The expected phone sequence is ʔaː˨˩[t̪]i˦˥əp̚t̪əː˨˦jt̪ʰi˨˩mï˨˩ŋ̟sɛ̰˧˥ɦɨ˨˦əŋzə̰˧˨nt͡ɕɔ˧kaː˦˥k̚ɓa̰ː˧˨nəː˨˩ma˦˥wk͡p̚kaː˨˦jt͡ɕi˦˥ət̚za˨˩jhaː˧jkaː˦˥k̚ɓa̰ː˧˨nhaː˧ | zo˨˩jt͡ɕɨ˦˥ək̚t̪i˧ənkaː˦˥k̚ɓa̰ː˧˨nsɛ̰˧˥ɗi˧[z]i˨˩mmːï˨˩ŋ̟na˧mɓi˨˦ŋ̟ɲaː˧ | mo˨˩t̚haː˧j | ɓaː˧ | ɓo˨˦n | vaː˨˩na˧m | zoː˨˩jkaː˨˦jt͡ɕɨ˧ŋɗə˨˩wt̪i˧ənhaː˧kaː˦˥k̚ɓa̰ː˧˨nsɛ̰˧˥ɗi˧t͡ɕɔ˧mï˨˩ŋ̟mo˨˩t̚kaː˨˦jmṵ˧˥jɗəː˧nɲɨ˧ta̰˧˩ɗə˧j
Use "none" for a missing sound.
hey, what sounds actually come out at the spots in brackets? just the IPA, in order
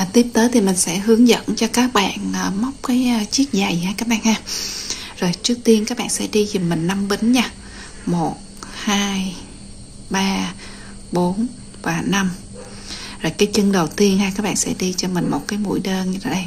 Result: t̪, z

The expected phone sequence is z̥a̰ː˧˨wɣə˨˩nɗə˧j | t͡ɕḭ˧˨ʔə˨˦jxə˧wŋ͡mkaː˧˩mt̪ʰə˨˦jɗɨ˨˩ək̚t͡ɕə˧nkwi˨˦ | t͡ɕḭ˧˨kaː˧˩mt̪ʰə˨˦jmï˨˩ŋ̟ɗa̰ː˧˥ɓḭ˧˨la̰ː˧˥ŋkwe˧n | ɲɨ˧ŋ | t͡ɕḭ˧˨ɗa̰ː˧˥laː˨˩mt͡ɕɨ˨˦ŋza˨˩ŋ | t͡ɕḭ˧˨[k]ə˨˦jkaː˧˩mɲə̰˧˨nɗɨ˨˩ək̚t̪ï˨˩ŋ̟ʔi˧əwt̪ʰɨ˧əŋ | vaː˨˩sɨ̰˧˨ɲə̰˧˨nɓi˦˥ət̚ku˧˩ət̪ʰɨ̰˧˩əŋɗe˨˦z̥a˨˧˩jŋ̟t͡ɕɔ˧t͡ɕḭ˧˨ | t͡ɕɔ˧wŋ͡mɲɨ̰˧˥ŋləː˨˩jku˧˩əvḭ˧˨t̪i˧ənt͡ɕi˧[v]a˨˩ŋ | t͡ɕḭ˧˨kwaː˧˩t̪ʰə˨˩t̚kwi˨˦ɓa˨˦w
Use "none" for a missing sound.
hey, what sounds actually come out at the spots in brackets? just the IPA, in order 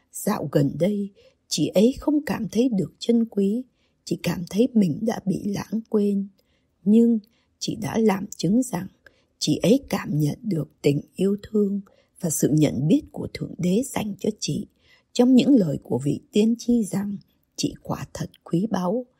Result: ʔ, z

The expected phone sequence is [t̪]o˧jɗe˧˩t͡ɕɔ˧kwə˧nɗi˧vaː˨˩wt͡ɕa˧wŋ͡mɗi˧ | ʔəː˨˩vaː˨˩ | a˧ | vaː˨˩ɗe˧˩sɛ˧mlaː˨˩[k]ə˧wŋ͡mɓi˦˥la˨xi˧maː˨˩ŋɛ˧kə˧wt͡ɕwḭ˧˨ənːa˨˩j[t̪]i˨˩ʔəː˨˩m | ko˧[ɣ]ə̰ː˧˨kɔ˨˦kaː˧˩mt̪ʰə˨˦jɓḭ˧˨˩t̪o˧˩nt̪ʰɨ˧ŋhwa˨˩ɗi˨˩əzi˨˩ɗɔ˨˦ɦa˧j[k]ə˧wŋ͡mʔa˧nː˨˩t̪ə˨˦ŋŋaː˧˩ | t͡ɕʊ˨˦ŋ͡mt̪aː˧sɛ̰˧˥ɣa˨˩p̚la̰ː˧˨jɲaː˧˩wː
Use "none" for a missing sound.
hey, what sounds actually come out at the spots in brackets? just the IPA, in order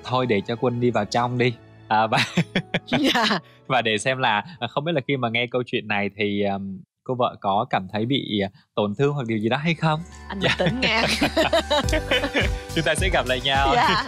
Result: t̪ʰ, x, t̪ʰ, v, x

